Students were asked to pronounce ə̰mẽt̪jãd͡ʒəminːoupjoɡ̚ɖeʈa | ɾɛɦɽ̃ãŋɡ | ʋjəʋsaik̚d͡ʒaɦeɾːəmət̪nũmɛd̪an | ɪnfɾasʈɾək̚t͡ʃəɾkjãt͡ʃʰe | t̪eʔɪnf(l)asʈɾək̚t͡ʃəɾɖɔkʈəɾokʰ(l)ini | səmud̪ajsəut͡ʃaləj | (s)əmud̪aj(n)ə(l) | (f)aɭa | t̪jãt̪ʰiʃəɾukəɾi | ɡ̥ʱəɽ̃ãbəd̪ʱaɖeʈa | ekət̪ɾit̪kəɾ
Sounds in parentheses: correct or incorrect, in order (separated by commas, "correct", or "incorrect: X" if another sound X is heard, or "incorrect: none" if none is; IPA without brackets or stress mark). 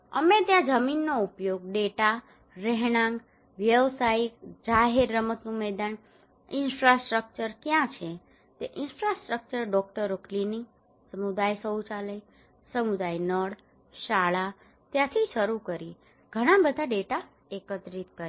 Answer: incorrect: ɾ, correct, correct, correct, incorrect: ɽ, incorrect: ʃ